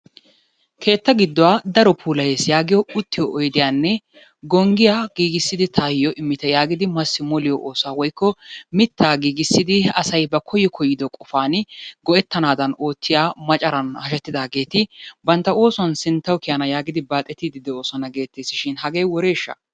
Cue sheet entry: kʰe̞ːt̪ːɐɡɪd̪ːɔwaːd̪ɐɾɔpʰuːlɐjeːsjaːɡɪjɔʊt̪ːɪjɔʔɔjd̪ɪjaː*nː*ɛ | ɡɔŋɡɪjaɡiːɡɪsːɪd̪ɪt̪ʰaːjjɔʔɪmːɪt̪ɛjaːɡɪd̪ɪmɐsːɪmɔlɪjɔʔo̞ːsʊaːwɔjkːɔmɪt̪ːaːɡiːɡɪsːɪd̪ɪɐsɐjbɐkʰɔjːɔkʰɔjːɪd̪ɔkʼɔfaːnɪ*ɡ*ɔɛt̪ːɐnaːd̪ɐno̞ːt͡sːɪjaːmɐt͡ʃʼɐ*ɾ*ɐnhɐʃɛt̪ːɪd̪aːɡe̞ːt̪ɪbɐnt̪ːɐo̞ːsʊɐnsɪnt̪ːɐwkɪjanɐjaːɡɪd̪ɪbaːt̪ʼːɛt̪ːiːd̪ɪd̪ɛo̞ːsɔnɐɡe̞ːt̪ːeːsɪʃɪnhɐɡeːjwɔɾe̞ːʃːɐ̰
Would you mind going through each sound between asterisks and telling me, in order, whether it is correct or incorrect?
correct, correct, correct

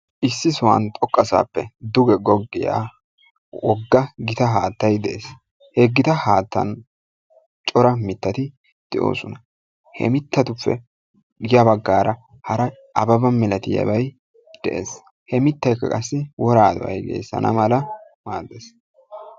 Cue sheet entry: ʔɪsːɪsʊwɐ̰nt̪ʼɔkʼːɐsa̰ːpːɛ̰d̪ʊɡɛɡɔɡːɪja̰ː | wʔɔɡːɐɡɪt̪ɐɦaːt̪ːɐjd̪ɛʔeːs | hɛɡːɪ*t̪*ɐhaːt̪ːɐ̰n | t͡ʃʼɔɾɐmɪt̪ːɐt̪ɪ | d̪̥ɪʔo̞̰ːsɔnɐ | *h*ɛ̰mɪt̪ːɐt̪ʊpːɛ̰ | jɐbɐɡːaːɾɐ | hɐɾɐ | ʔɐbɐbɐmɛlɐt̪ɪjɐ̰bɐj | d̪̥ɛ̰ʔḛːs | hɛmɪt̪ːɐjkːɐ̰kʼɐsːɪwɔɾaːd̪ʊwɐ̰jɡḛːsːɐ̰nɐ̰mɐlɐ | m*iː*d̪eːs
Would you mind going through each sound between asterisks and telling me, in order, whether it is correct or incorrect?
correct, correct, incorrect: aː

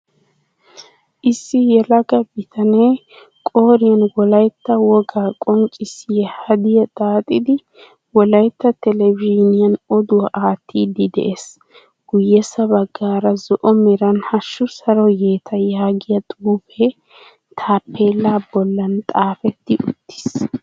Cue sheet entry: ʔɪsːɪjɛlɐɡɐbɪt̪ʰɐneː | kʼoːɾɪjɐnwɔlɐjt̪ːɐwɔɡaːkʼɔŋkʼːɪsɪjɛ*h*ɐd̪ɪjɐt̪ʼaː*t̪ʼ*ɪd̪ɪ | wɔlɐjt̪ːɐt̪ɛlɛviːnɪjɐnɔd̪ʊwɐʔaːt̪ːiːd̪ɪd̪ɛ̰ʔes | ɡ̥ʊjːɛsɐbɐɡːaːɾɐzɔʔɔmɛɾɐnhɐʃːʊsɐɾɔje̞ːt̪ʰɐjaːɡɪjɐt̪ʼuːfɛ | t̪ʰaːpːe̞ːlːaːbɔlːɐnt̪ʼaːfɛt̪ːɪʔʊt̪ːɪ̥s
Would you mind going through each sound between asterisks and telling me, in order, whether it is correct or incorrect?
correct, correct

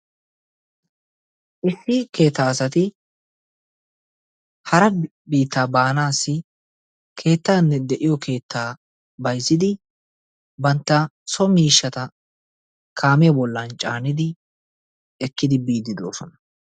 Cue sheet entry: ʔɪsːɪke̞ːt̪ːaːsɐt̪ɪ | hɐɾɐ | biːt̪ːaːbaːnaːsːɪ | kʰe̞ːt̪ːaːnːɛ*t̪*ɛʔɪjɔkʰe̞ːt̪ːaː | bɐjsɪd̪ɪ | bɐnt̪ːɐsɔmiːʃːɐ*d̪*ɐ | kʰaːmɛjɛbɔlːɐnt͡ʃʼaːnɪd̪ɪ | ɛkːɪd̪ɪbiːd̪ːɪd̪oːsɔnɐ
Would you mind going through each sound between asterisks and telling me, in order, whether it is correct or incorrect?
incorrect: d̪, incorrect: t̪

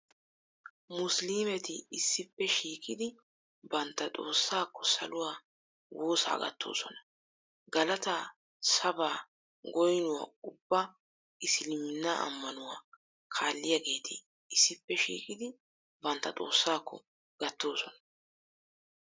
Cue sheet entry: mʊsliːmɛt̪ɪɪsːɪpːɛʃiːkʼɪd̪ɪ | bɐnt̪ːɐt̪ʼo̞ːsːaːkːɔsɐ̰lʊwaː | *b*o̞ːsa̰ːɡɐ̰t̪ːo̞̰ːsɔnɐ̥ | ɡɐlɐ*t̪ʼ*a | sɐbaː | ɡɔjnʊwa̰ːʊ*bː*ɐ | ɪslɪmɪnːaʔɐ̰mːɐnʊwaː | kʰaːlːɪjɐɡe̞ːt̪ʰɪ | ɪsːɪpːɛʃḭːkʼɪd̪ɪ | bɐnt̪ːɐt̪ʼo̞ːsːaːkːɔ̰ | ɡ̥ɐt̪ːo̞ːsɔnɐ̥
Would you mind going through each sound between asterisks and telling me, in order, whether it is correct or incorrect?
incorrect: w, incorrect: t̪, correct

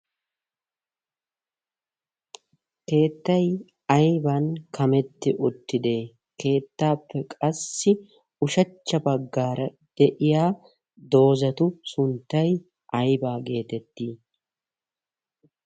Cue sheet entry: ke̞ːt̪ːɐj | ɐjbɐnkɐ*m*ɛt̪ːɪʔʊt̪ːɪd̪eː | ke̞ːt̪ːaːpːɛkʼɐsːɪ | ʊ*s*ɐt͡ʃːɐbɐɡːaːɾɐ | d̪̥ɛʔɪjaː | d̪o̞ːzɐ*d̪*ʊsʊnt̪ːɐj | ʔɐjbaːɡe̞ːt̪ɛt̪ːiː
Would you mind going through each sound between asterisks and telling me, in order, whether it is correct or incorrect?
correct, incorrect: ʃ, incorrect: t̪

